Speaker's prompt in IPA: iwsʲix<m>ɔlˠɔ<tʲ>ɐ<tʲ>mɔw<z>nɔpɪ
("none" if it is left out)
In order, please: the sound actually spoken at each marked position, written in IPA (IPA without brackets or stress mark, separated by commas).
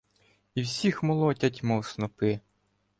m, tʲ, tʲ, s